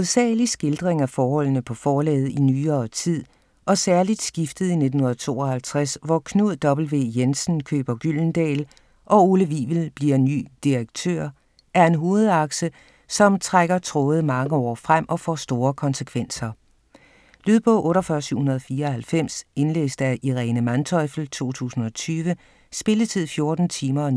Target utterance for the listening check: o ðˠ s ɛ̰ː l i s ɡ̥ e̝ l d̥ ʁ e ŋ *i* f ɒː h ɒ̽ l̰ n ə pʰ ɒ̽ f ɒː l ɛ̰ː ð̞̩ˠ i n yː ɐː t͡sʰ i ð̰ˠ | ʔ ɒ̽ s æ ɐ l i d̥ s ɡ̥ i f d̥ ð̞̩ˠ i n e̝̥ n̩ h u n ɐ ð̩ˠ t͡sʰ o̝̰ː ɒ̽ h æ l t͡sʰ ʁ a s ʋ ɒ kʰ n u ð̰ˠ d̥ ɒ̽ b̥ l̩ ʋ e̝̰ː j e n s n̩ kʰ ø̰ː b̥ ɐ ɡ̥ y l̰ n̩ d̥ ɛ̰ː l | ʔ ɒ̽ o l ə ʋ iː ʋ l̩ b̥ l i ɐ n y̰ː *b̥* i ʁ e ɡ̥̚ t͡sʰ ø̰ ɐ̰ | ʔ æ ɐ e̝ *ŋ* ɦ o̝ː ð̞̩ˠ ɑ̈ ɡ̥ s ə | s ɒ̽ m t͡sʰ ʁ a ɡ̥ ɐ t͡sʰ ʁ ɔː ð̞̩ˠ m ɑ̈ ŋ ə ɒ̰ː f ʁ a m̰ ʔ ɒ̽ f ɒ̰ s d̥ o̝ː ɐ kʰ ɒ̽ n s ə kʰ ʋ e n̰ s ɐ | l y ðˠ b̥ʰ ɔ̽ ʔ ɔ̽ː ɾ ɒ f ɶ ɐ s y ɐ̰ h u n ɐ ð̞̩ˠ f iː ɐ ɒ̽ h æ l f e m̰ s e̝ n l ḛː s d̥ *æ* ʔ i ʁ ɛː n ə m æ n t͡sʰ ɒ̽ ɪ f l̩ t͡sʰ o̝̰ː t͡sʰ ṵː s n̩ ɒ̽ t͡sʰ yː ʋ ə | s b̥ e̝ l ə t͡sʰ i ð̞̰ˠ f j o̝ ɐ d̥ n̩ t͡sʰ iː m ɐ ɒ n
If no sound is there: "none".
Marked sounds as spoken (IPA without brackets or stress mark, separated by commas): æ, d̥, n, æ